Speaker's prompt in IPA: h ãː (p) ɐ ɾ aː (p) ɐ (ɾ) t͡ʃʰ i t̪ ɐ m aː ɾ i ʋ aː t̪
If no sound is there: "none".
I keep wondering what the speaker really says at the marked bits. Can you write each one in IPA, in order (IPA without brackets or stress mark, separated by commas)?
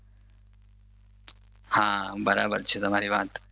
b, b, ɾ